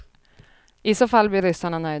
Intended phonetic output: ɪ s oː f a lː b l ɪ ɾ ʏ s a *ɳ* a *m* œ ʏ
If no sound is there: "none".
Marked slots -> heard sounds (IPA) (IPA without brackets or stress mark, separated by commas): ɳ, n